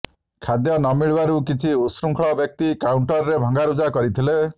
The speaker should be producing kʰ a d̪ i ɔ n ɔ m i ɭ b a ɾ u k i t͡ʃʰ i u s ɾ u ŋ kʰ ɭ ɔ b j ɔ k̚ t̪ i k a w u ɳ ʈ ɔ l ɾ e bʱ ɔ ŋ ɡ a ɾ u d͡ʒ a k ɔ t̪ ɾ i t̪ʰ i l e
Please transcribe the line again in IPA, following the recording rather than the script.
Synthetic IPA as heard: kʰ a d̪ j ɔ n ɔ m i ɭ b a ɾ u k i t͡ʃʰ i u s ɾ u ŋ kʰ ɭ ɔ b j ɔ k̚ t̪ i k a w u ɳ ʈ ɔ ɾ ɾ e bʱ ɔ ŋ ɡ a ɾ u d͡ʒ a k ɔ ɾ i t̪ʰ i l e